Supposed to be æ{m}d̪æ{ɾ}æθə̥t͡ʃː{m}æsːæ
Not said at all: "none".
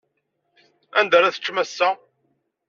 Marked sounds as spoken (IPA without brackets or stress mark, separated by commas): n, ɾ, m